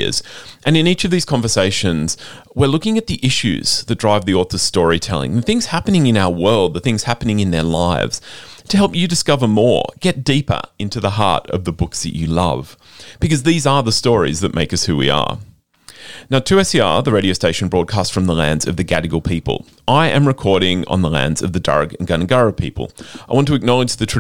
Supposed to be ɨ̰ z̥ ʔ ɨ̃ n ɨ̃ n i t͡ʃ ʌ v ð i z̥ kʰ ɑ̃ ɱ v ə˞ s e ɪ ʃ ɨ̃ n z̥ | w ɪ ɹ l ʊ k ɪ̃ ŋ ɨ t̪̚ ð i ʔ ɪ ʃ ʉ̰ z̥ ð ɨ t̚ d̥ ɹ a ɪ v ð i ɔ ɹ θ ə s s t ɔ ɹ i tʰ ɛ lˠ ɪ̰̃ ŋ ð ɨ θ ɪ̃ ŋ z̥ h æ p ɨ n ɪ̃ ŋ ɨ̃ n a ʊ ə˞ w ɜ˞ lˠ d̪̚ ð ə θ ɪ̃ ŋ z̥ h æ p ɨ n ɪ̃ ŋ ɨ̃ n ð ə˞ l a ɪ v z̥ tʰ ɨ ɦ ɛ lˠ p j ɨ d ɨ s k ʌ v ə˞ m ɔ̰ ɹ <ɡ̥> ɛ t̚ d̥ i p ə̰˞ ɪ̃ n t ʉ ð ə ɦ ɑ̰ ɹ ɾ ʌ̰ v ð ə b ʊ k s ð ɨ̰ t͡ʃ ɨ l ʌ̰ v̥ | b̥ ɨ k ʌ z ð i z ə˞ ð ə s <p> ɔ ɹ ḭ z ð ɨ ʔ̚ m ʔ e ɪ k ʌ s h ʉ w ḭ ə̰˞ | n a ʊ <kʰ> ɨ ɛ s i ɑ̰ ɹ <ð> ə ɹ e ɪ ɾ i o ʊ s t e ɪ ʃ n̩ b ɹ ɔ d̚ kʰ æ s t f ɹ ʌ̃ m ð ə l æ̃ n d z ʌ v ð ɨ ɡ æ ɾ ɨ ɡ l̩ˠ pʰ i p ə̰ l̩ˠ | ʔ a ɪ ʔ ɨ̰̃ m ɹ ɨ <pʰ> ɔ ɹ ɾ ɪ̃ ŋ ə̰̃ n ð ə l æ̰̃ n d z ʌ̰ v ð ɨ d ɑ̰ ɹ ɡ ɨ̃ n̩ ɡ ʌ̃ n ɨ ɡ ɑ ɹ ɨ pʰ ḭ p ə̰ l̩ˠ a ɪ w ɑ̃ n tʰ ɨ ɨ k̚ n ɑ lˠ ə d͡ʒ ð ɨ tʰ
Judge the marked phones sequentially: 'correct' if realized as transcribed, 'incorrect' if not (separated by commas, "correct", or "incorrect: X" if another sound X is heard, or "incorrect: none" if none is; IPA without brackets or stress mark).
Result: correct, incorrect: t, incorrect: tʰ, correct, incorrect: kʰ